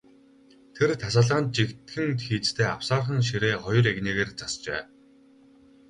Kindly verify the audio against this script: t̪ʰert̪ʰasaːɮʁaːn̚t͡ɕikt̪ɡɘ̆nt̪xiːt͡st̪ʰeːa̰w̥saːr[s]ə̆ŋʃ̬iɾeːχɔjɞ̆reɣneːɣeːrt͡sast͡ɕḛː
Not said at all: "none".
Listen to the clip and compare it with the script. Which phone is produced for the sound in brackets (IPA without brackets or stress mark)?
χ